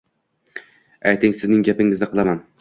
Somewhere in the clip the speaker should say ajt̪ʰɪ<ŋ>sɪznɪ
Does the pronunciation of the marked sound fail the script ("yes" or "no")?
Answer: no